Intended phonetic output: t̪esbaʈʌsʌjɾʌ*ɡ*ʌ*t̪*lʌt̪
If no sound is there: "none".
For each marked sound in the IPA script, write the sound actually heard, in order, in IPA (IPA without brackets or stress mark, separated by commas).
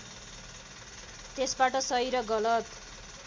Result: ɡ, none